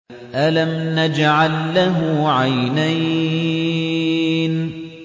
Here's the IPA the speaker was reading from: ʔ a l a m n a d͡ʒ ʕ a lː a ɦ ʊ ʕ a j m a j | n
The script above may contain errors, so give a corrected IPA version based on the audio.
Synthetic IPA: ʔ a l a m n a d͡ʒ ʕ a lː a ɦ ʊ ʕ a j n a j | n